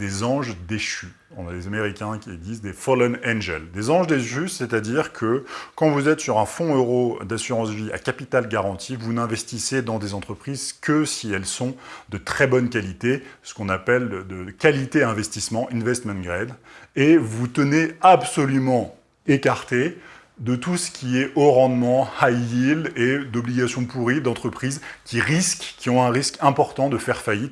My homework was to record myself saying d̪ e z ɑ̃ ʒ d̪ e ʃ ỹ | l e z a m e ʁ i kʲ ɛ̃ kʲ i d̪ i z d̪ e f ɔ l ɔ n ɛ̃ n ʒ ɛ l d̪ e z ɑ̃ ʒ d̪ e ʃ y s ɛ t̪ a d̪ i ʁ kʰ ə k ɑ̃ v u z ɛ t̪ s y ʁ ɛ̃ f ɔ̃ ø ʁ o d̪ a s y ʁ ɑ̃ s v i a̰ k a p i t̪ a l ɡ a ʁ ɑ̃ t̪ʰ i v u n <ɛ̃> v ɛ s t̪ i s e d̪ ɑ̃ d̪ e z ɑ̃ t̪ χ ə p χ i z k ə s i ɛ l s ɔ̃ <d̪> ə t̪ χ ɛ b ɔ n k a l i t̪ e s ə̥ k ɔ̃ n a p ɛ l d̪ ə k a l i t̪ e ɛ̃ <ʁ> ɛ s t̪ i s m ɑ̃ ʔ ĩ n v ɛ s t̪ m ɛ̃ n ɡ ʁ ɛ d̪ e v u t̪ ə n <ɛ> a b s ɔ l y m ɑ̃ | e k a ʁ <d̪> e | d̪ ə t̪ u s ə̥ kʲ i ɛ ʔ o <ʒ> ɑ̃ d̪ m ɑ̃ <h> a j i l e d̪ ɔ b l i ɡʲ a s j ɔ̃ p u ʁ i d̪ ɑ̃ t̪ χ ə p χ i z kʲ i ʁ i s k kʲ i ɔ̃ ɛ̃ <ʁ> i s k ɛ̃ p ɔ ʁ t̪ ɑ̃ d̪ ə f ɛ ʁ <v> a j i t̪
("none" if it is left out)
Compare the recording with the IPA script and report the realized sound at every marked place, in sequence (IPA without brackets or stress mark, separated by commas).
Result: ɛ̃, d̪, v, e, t̪, ʁ, h, ʁ, f